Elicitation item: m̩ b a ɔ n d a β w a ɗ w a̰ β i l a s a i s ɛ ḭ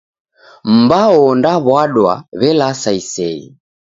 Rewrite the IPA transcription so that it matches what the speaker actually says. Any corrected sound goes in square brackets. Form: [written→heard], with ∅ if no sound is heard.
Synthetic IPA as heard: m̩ b a ɔ n d a β w a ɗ w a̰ β [i→ɛ] l a s a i s ɛ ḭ